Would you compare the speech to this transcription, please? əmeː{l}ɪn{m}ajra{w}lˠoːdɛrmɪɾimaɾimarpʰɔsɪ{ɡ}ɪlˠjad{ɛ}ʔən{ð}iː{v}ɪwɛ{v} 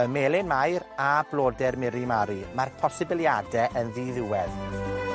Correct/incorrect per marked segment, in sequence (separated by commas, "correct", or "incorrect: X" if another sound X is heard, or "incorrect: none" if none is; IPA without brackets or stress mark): correct, correct, incorrect: b, incorrect: b, correct, correct, incorrect: ð, incorrect: ð